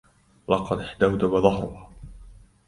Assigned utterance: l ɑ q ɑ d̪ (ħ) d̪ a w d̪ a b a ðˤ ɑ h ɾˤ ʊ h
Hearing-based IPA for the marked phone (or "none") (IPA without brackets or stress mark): ħ